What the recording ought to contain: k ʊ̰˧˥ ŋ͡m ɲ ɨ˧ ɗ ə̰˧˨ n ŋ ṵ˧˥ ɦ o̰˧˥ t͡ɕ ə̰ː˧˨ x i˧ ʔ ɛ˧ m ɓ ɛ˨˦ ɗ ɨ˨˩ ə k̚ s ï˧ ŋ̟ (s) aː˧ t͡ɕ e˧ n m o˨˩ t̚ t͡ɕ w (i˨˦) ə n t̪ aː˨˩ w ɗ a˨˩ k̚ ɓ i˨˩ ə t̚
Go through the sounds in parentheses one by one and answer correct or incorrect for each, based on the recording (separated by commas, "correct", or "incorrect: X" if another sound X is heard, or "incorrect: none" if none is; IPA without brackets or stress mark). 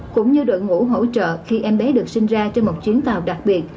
incorrect: z, correct